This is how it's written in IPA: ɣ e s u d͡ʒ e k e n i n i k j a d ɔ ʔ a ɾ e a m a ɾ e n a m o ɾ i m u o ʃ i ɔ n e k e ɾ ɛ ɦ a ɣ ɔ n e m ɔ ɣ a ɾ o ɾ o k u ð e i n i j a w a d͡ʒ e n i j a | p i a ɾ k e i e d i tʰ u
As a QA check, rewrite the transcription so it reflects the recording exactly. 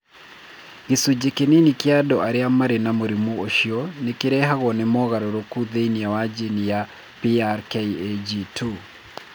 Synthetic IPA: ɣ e s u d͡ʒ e k e n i n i k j a d ɔ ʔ a ɾ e a m a ɾ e n a m o ɾ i m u o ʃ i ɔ n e k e ɾ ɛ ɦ a ɣ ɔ n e m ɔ ɣ a ɾ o ɾ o k u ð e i n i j a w a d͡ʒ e n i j a | p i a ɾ k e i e d͡ʒ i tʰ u